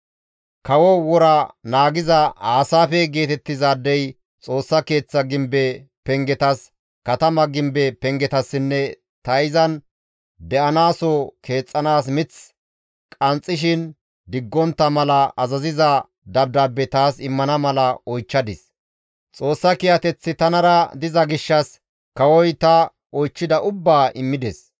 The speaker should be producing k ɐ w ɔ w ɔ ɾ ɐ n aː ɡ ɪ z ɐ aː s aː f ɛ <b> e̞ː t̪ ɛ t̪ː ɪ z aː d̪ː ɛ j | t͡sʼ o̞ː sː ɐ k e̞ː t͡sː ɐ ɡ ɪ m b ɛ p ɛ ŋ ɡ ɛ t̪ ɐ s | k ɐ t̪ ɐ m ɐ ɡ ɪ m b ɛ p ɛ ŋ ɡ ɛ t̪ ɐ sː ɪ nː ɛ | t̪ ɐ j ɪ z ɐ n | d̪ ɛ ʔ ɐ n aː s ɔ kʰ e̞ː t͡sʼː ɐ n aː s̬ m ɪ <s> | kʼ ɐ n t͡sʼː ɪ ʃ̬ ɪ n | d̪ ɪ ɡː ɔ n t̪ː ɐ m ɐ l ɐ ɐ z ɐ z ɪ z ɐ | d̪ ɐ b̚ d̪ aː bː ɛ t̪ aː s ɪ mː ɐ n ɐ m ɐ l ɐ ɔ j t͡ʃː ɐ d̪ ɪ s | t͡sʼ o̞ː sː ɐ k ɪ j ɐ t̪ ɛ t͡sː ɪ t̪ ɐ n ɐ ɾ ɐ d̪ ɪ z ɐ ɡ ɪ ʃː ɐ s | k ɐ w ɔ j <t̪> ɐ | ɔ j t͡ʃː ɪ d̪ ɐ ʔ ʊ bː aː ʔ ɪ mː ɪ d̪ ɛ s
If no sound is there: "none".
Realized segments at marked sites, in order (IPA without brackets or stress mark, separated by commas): ɡ, t͡s, t̪